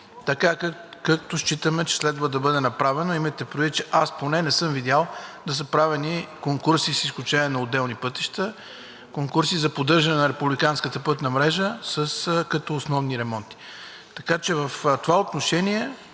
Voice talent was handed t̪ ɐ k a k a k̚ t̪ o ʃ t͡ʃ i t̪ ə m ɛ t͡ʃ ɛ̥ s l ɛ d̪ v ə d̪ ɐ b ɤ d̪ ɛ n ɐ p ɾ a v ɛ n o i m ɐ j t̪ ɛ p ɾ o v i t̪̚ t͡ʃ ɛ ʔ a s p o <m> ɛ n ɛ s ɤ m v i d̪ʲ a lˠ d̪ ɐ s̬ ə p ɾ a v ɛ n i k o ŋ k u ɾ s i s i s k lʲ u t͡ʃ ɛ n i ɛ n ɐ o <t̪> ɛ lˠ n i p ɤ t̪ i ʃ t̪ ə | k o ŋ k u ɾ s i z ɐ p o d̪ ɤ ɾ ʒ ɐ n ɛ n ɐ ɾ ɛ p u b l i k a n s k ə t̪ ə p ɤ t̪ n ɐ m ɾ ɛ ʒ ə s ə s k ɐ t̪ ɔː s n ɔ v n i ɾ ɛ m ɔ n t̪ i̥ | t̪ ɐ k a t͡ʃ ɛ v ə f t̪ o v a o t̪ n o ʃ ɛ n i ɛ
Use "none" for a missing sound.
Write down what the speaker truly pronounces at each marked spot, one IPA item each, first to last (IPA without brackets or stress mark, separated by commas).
n, d̪